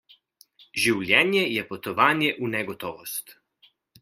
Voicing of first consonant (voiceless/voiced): voiced